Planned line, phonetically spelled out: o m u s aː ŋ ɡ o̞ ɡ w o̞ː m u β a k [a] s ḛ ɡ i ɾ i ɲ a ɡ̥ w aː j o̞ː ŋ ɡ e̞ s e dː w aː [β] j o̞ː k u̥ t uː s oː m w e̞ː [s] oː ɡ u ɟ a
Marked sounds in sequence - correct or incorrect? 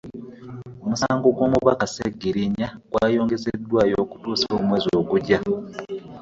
correct, incorrect, incorrect

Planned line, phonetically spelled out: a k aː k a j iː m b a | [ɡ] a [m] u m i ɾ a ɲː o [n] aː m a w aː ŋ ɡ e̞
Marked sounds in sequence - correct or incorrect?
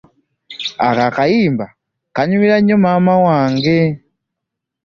incorrect, incorrect, incorrect

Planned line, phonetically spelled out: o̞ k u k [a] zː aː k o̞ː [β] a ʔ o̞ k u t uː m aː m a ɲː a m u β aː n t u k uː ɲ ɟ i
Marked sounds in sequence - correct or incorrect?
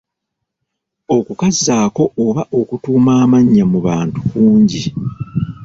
correct, correct

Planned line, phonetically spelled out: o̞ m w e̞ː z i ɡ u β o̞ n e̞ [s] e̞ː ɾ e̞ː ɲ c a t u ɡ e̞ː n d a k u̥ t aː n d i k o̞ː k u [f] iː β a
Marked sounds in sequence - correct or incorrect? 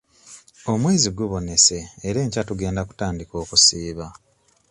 correct, incorrect

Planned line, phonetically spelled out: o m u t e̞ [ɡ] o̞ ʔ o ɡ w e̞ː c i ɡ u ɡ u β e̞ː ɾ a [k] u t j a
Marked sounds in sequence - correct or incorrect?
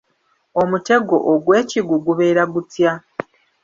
correct, incorrect

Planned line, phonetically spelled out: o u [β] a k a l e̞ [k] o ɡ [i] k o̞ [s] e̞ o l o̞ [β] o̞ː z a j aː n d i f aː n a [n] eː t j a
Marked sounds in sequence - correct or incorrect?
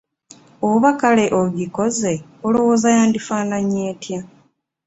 correct, incorrect, correct, incorrect, incorrect, incorrect

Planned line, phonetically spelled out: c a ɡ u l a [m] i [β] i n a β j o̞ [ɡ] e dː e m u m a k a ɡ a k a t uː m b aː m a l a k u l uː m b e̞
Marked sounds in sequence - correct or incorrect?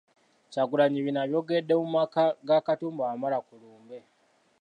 incorrect, correct, correct

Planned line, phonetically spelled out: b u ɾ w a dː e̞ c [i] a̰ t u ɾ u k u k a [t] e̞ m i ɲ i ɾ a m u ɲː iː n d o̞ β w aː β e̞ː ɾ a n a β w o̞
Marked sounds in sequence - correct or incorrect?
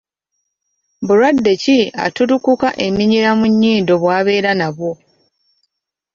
correct, incorrect

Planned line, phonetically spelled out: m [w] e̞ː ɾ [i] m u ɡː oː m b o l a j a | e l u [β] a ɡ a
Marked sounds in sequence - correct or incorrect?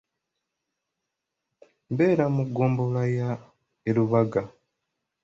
incorrect, incorrect, correct

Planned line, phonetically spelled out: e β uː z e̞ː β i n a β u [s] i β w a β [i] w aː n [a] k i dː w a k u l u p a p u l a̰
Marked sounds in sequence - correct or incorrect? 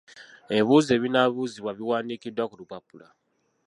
incorrect, correct, incorrect

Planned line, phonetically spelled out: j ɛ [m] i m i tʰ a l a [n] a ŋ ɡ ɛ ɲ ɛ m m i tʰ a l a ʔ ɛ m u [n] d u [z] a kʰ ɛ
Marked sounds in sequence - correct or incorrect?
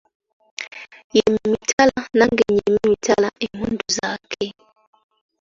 correct, correct, correct, correct

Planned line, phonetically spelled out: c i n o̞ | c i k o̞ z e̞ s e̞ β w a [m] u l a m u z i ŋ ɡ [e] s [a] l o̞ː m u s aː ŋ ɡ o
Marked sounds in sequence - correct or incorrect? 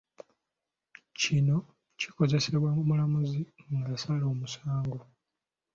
correct, incorrect, correct

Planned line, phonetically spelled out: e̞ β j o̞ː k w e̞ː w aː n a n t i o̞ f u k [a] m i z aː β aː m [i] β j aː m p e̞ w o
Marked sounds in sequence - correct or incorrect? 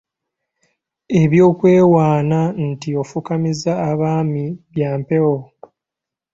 correct, correct

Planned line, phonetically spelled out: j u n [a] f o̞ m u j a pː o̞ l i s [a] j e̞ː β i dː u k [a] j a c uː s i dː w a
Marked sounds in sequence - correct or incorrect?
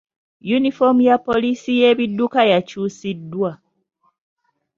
incorrect, incorrect, correct

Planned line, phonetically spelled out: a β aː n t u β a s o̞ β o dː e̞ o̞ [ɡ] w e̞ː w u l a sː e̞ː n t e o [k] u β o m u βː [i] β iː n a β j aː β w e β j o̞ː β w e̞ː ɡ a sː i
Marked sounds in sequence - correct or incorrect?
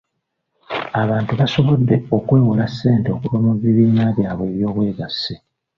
incorrect, correct, correct

